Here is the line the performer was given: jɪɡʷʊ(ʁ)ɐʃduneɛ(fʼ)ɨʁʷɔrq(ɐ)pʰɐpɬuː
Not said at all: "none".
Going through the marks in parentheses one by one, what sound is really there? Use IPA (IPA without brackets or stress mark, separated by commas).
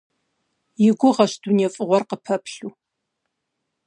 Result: ʁ, fʼ, ə